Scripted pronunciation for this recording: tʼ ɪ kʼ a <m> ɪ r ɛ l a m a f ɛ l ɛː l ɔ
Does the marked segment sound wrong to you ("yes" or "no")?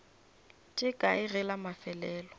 yes